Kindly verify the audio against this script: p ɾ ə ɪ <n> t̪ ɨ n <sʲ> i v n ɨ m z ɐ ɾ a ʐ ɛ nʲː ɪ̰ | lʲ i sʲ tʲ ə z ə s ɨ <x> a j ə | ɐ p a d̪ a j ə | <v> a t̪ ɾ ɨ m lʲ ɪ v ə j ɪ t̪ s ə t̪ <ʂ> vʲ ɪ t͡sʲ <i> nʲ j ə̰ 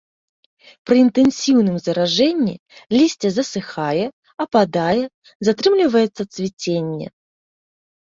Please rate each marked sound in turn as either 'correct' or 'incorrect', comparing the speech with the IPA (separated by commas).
correct, correct, correct, incorrect, incorrect, incorrect